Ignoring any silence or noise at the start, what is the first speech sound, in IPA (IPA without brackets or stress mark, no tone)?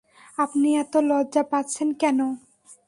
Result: a